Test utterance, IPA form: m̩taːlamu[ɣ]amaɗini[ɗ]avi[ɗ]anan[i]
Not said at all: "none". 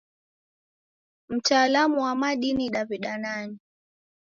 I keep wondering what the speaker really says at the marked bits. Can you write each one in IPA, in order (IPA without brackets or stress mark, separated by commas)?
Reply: w, ɗ, ɗ, i